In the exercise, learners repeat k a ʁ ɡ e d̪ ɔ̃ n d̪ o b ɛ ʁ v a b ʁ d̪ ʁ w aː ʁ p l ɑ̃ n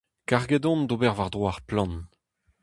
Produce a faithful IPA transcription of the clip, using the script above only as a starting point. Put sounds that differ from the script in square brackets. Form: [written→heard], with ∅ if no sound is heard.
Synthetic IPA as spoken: k a ʁ ɡ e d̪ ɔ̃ n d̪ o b ɛ ʁ v a [b→∅] ʁ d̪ ʁ w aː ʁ p l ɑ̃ n